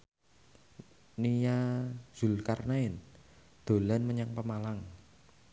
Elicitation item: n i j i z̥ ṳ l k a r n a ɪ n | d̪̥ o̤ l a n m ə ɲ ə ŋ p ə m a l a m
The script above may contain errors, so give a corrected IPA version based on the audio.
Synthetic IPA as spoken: n i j a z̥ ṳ l k a r n a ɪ n | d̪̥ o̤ l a n m ə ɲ a ŋ p ə m a l a ŋ